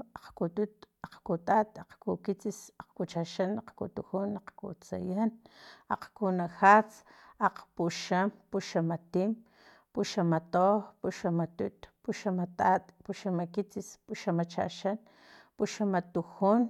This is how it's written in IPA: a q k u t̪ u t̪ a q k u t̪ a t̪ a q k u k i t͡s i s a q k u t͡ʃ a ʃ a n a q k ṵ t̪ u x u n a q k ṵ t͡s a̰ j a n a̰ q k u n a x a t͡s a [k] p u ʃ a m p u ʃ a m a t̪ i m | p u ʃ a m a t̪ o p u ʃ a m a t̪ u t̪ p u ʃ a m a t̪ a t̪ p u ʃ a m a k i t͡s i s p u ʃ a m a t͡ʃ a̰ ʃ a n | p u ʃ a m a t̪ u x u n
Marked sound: incorrect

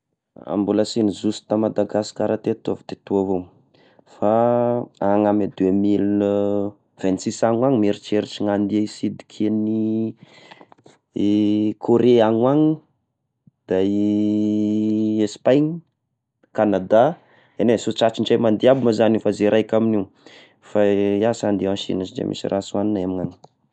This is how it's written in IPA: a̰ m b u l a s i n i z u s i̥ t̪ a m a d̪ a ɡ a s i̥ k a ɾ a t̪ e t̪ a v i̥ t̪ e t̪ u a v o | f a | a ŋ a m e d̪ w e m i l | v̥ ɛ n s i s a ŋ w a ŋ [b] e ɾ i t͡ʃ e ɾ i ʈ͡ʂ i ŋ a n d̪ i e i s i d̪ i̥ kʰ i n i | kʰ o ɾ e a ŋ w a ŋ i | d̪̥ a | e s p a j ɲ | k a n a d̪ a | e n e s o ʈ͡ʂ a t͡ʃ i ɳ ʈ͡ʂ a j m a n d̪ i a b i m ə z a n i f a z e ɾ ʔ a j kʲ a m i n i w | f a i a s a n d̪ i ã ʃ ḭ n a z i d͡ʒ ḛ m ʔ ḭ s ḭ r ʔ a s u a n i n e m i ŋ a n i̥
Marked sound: incorrect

